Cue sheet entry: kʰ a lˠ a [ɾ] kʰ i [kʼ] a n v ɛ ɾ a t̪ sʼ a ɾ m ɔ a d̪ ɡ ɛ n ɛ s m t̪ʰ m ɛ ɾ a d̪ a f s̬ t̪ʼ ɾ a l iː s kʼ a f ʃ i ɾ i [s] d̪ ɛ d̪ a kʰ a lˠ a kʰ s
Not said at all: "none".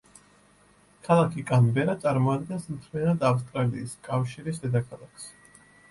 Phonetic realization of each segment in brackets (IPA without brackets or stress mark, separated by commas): none, kʼ, s